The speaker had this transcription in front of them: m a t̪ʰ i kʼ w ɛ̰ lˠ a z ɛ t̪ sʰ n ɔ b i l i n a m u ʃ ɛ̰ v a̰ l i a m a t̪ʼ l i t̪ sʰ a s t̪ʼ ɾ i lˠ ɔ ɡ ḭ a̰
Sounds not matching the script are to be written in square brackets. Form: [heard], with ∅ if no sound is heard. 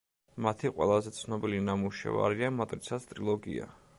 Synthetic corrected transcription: m a t̪ʰ i [qʼ] w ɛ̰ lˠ a z ɛ t̪ sʰ n ɔ b i l i n a m u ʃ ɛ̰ v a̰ [ɾ] i a m a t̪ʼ [ɾ] i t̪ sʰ a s t̪ʼ ɾ i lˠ ɔ ɡ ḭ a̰